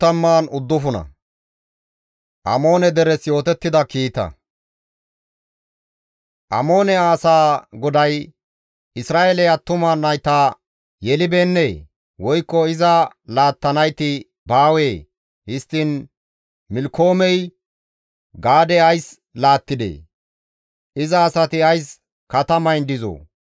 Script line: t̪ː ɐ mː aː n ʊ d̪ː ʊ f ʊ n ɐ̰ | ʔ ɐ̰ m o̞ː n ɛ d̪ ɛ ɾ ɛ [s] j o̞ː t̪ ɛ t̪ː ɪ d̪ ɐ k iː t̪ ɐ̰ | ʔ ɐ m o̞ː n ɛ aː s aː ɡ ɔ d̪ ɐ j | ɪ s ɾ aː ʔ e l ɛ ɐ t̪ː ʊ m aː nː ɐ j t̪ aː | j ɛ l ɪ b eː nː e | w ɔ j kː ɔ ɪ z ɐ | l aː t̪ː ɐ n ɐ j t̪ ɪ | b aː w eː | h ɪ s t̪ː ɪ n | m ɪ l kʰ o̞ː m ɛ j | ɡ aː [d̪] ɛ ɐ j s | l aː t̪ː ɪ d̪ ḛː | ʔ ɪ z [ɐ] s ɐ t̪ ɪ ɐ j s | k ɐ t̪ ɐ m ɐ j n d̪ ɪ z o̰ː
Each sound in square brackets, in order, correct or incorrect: correct, correct, incorrect

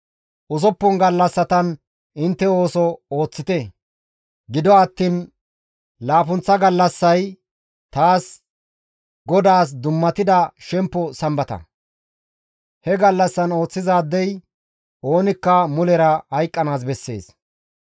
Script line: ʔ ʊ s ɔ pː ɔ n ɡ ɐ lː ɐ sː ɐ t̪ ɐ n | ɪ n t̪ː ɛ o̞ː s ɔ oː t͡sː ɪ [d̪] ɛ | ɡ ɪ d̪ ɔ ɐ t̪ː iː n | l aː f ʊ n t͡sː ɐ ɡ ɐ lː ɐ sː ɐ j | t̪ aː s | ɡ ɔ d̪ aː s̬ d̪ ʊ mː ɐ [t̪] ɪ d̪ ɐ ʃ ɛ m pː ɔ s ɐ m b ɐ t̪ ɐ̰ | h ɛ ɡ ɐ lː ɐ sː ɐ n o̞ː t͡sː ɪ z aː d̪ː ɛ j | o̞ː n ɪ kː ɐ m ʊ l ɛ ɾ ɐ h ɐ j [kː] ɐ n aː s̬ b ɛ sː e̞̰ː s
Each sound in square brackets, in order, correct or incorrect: incorrect, correct, incorrect

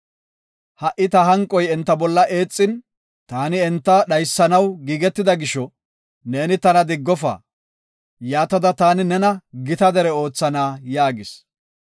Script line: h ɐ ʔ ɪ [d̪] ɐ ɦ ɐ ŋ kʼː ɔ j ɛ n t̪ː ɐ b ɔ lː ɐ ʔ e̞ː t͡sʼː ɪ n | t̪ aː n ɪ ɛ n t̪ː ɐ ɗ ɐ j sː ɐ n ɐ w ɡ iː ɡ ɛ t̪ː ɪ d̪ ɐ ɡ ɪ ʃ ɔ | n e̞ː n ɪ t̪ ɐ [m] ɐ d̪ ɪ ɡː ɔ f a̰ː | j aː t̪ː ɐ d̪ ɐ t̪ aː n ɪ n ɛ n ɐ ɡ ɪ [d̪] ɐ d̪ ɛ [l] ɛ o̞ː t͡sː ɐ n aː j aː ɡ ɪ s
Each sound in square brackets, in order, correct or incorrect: incorrect, incorrect, incorrect, incorrect

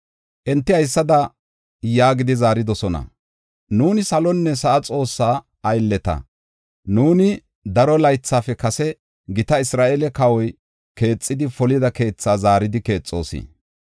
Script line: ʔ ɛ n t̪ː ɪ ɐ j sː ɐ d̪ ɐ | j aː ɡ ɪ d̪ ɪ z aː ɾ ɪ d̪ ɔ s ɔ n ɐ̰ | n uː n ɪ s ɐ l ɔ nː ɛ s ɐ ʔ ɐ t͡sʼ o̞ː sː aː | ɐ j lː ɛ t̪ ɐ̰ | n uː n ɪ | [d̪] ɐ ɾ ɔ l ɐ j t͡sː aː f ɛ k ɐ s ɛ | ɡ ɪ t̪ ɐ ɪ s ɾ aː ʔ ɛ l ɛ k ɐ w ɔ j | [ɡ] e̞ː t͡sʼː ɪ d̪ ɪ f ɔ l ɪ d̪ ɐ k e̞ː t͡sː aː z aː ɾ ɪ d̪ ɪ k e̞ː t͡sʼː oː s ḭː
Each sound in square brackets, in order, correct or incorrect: correct, incorrect

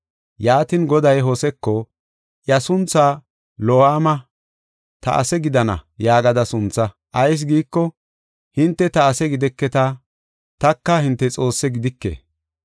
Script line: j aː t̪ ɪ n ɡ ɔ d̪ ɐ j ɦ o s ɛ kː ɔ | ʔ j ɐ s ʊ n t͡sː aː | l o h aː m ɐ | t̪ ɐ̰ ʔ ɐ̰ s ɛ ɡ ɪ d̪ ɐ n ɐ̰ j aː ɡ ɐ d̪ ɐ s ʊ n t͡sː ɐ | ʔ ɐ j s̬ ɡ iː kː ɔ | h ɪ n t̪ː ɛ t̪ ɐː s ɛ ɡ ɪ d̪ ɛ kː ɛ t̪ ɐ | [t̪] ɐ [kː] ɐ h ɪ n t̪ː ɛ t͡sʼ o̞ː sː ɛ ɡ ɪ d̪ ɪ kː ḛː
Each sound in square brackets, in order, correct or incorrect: correct, correct

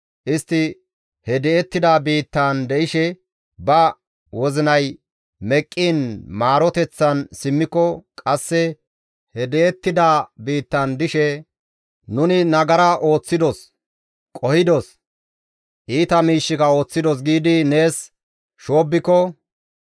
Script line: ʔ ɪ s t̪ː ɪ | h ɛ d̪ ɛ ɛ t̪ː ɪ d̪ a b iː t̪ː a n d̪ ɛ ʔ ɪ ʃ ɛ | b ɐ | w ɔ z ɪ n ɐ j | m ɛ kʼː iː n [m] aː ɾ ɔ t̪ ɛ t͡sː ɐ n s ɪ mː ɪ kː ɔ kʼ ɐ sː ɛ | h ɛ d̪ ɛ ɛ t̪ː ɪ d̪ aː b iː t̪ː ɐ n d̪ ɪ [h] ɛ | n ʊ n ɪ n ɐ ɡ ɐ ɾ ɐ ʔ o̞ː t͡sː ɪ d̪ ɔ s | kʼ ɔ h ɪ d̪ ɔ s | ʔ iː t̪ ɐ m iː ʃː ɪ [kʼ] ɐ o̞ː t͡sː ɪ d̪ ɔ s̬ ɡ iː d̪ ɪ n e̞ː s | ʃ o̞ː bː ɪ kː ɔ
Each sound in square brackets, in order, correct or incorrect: correct, incorrect, incorrect

